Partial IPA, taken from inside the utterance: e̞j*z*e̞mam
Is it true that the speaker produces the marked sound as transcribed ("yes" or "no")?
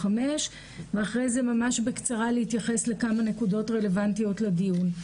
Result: yes